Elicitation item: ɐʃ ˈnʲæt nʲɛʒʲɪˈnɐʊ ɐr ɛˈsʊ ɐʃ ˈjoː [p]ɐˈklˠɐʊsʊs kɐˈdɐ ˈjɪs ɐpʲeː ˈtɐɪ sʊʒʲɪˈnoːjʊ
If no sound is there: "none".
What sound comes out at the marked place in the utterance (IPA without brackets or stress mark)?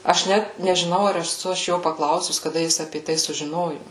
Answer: p